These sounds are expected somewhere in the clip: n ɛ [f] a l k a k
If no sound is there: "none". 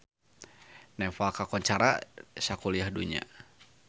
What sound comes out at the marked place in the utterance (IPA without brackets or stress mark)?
f